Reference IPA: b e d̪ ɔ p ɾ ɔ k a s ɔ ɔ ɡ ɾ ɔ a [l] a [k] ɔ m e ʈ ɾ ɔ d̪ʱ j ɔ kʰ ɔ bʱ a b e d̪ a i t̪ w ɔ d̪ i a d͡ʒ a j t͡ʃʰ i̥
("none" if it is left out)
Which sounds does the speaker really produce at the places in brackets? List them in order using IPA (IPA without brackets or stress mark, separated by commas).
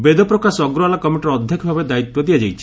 l, k